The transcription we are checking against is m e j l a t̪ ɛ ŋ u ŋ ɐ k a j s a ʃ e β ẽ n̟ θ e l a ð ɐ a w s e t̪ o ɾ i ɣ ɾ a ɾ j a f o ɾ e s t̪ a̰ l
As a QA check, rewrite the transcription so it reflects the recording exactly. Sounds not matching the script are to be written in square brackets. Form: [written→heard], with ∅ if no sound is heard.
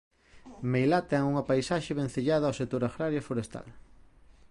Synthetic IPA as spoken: m e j l a t̪ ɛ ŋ u ŋ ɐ [k→p] a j s a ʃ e β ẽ n̟ θ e [l→ʎ] a ð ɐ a w s e t̪ o ɾ [i→a] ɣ ɾ a ɾ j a f o ɾ e s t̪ a̰ l